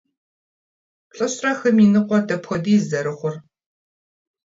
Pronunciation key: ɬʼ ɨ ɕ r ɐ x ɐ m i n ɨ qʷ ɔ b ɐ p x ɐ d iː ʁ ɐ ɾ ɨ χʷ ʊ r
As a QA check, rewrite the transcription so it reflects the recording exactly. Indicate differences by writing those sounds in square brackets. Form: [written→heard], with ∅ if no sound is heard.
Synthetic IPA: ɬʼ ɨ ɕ r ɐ x ɐ m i n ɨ qʷ ɔ [b→d] ɐ p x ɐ d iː [ʁ→z] ɐ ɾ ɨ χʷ ʊ r